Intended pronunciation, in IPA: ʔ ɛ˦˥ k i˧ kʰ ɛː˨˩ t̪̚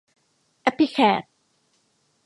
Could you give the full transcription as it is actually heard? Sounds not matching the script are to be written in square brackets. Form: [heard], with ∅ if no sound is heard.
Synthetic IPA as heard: ʔ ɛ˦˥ [p] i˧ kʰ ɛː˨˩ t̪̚

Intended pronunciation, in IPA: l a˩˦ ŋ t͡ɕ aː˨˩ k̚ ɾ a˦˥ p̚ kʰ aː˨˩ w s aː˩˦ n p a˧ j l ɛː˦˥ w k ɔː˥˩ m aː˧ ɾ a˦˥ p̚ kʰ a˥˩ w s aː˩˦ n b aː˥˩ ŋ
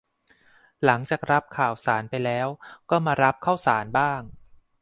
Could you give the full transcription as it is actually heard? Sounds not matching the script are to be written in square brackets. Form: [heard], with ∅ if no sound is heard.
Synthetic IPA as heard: l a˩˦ ŋ t͡ɕ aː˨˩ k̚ ɾ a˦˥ p̚ kʰ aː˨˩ w s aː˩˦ n p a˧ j l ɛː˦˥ w k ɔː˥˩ m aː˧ ɾ a˦˥ p̚ kʰ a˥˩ w s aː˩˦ n b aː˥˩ ŋ

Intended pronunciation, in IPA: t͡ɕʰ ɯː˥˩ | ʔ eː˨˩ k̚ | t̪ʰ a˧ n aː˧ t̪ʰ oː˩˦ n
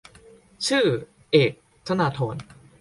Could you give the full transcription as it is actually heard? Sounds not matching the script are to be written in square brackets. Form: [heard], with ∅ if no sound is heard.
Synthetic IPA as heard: t͡ɕʰ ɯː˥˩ | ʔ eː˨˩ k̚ | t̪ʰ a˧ n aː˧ t̪ʰ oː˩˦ n

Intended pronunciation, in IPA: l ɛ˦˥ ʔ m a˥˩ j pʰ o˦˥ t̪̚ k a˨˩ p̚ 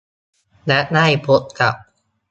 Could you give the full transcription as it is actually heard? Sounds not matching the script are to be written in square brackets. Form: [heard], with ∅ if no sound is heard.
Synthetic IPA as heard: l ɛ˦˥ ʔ [n] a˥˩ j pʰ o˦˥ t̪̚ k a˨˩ p̚

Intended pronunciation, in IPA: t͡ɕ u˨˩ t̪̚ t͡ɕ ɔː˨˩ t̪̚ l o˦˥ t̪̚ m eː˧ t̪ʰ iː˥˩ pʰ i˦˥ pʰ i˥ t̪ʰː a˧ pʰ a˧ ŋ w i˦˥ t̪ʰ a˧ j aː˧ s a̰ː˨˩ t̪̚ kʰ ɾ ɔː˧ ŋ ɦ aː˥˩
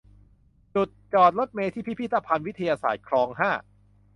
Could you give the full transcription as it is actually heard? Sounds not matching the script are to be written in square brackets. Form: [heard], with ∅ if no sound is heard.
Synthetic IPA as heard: t͡ɕ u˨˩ t̪̚ t͡ɕ ɔː˨˩ t̪̚ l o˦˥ t̪̚ m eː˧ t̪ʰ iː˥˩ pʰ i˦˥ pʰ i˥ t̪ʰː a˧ pʰ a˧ [n] w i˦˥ t̪ʰ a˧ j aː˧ s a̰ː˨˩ t̪̚ kʰ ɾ ɔː˧ ŋ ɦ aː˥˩

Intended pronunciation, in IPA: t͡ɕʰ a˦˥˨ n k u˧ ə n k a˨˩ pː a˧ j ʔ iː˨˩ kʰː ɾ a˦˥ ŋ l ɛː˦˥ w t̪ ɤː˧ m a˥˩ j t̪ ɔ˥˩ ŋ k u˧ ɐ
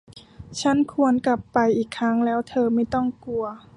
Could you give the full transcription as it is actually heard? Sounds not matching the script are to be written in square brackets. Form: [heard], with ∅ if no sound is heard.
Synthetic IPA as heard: t͡ɕʰ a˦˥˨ n [kʰ] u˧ ə n k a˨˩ pː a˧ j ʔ iː˨˩ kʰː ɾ a˦˥ ŋ l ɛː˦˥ w [t̪ʰ] ɤː˧ m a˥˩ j t̪ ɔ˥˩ ŋ k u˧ ɐ

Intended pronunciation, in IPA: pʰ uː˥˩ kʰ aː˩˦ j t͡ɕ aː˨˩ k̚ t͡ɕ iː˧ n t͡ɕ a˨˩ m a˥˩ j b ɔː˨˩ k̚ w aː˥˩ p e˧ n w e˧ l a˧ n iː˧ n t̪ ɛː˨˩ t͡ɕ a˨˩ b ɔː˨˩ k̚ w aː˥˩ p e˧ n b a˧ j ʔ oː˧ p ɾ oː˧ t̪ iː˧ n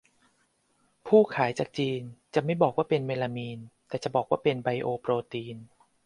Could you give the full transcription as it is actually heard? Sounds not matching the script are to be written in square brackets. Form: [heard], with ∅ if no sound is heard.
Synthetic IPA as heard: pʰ uː˥˩ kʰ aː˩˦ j t͡ɕ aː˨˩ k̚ t͡ɕ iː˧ n t͡ɕ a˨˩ m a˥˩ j b ɔː˨˩ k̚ w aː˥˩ p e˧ n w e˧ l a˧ [m] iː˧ n t̪ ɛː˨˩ t͡ɕ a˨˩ b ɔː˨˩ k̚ w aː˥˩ p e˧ n b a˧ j ʔ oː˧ p ɾ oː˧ t̪ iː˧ n

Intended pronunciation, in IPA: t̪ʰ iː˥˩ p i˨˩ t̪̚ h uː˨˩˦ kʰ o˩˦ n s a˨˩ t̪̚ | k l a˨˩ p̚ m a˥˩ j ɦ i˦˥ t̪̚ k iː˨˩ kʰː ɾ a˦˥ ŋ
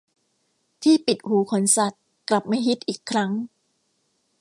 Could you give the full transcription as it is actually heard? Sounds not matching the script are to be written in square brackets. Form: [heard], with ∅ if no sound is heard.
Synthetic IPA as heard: t̪ʰ iː˥˩ p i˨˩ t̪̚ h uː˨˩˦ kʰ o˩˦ n s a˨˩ t̪̚ | k l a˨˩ p̚ m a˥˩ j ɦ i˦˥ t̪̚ [ʔ] iː˨˩ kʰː ɾ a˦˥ ŋ

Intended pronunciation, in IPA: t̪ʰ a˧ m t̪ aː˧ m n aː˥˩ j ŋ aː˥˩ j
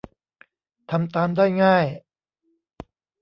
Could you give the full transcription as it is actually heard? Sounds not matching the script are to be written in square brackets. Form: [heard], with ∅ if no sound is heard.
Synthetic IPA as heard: t̪ʰ a˧ m t̪ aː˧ m [d] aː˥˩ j ŋ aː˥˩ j

